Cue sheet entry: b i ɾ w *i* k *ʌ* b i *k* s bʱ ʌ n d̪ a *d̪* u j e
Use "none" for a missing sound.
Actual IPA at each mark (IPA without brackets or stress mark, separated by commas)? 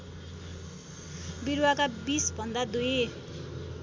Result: a, a, none, d̪